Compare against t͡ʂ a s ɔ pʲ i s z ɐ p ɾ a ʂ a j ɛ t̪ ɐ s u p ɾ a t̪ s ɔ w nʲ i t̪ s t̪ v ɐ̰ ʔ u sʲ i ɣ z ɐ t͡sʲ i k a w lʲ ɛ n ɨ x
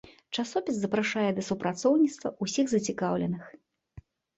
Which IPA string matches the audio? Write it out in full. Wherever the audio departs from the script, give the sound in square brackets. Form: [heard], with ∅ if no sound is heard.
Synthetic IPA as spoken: t͡ʂ a s ɔ pʲ i s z ɐ p ɾ a ʂ a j ɛ [d̪] ɐ s u p ɾ a t̪ s ɔ w nʲ i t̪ s t̪ v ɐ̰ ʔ u sʲ i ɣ z ɐ t͡sʲ i k a w lʲ ɛ n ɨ x